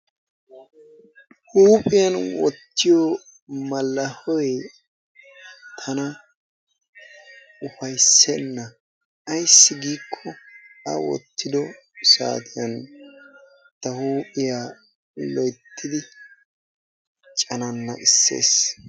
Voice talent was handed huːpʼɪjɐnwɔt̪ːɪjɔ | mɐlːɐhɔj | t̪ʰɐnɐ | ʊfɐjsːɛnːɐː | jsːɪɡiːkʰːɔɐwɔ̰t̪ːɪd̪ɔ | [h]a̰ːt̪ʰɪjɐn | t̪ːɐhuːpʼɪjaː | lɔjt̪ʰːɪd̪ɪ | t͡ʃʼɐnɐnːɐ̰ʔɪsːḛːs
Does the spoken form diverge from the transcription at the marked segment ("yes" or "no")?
yes